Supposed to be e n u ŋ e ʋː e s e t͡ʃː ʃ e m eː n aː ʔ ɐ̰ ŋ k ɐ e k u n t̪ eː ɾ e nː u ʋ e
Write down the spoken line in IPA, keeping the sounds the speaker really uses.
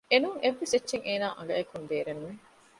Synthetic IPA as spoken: e n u ŋ e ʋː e s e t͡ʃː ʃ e ŋ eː n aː ʔ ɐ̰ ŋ ɡ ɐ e k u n d̪ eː ɾ e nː u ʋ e